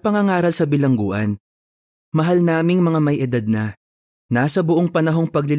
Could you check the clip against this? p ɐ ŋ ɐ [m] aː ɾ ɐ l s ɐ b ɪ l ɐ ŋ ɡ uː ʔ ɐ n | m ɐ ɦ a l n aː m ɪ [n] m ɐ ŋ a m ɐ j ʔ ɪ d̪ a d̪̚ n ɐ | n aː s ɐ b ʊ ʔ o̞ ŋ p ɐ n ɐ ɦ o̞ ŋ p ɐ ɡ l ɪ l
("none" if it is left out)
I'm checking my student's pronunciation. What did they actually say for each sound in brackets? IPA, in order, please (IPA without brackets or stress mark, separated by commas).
ŋ, ŋ